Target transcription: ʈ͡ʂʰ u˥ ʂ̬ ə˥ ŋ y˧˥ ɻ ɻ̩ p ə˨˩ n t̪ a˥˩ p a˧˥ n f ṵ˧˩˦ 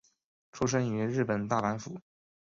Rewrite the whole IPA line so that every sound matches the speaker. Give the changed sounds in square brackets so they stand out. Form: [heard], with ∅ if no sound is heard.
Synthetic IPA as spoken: ʈ͡ʂʰ u˥ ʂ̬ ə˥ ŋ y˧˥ ɻ ɻ̩ p ə˨˩ n t̪ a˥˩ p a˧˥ n f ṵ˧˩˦